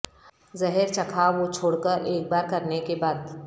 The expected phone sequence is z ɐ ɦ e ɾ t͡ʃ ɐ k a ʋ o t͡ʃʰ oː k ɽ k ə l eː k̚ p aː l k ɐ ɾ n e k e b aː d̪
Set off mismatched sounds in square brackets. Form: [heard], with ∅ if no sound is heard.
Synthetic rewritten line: z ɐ ɦ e ɾ t͡ʃ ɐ [kʰ] a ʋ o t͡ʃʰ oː [∅] ɽ k ə [ɾ] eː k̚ [b] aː [ɾ] k ɐ ɾ n e k e b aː d̪